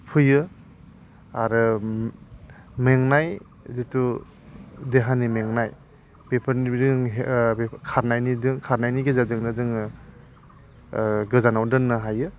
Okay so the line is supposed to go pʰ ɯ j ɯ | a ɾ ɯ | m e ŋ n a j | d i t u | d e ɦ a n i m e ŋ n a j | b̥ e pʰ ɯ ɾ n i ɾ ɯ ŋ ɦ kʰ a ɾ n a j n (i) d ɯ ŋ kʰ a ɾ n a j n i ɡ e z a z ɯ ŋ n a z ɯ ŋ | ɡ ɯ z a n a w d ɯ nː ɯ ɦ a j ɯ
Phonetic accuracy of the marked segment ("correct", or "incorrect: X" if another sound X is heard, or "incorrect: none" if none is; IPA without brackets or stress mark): correct